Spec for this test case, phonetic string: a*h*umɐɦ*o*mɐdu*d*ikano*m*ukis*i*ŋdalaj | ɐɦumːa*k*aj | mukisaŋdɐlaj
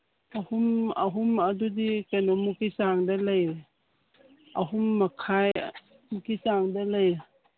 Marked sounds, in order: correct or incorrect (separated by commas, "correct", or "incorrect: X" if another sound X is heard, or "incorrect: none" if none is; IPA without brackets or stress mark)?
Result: correct, incorrect: u, correct, correct, incorrect: a, incorrect: kʰ